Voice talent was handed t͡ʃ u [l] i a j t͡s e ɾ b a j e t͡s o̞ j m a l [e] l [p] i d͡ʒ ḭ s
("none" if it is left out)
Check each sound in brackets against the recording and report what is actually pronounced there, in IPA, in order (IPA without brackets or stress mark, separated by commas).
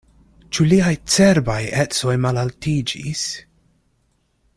l, a, t